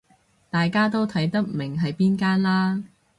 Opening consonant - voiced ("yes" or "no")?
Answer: no